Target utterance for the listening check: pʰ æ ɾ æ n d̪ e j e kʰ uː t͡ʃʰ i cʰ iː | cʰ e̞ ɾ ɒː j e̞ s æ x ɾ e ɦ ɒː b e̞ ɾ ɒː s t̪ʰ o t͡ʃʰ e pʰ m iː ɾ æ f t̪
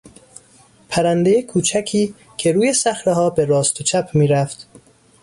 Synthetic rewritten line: pʰ æ ɾ æ n d̪ e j e kʰ uː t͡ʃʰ æ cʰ iː | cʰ e̞ ɾ uː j e̞ s æ x ɾ e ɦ ɒː b e̞ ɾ ɒː s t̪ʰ o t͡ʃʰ æ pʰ m iː ɾ æ f t̪